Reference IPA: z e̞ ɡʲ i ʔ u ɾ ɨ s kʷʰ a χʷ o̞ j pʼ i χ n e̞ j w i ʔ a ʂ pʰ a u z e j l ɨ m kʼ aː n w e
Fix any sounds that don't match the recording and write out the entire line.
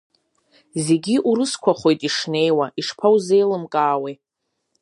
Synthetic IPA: z e̞ ɡʲ i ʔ u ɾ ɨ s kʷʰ a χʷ o̞ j tʼ i ʂ n e̞ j w a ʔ i ʂ pʰ a w z e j l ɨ m kʼ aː w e